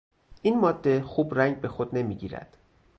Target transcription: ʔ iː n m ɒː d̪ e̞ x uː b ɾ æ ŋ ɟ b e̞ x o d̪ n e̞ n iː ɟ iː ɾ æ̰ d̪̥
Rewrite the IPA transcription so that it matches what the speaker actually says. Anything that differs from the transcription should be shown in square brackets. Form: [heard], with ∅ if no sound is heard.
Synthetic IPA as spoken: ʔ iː n m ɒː [d̪ː] e̞ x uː b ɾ æ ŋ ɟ b e̞ x o d̪ n e̞ [m] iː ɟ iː ɾ æ̰ d̪̥